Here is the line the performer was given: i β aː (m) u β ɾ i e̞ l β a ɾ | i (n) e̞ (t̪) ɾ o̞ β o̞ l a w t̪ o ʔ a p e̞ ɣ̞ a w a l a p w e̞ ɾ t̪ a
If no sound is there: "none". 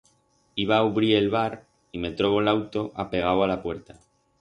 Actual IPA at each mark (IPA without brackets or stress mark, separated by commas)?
none, m, t̪